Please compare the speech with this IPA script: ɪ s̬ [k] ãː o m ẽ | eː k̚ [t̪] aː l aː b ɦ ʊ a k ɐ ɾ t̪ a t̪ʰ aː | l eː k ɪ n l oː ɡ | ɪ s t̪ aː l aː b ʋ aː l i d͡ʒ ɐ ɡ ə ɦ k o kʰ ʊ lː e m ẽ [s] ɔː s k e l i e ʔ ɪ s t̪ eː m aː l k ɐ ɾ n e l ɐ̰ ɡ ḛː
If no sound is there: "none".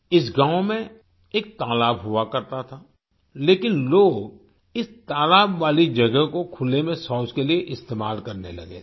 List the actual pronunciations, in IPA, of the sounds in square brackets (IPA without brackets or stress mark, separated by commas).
ɡ, t̪, s